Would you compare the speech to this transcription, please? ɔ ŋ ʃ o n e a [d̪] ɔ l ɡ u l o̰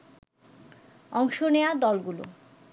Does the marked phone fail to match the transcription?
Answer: no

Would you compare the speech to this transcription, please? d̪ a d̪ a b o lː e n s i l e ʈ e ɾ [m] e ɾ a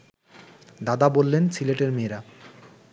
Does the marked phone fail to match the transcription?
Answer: no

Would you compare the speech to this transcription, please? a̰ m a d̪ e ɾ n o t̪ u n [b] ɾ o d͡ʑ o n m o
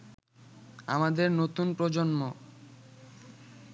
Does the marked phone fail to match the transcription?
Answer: yes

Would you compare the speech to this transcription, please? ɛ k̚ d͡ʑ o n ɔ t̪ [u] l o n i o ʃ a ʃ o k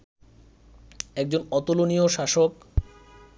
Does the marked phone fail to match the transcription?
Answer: yes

